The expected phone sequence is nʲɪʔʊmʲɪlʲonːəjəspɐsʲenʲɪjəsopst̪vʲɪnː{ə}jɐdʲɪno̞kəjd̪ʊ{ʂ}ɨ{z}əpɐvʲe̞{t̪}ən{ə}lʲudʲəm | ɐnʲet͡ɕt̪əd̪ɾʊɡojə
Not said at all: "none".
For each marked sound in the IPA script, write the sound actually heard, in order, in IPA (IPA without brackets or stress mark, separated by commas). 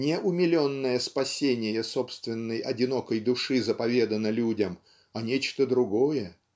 ə, ʂ, z, d̪, ə